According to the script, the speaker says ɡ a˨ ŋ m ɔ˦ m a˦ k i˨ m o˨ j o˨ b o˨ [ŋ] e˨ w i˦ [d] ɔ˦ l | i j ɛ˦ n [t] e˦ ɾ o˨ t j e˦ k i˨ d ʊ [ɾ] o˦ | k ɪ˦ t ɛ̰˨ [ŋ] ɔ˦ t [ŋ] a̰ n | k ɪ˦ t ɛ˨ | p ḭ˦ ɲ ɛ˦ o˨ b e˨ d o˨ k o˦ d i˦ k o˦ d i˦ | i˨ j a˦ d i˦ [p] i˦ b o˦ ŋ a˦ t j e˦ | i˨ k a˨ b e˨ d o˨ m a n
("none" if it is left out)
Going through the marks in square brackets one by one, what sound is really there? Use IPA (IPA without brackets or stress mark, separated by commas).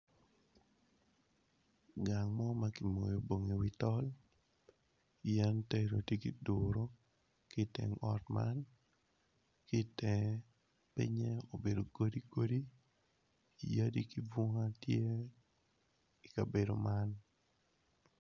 ŋ, t, t, ɾ, ŋ, m, k